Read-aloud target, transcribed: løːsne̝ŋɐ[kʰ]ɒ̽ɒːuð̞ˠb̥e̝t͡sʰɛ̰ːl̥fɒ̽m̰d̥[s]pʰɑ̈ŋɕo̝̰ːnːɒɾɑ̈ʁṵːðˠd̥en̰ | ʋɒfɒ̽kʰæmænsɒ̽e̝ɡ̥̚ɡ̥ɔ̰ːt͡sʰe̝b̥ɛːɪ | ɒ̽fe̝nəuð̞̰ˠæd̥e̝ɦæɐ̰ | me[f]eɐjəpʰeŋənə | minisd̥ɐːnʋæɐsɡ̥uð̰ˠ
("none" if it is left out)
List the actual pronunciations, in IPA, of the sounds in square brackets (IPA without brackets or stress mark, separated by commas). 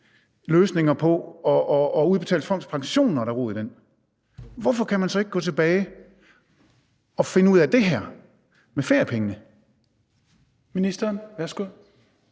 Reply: pʰ, s, f